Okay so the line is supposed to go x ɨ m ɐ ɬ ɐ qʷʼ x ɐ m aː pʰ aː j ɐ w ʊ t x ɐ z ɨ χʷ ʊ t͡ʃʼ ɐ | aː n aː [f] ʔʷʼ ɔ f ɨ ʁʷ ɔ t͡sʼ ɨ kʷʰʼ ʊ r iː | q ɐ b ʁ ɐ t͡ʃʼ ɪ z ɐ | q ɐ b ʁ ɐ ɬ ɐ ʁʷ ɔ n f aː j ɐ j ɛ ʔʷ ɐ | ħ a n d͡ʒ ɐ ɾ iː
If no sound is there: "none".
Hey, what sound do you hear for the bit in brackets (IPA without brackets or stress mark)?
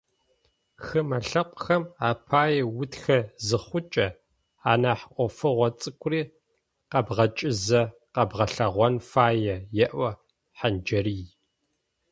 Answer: ħ